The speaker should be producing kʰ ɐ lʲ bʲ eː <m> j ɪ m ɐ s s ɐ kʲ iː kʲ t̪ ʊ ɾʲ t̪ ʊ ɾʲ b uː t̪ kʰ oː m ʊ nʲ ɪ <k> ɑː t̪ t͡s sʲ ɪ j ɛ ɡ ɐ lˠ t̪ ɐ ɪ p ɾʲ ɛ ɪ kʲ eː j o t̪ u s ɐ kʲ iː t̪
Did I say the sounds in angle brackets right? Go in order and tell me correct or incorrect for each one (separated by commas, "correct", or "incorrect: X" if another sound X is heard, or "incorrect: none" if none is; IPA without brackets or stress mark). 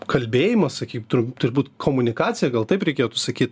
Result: incorrect: none, correct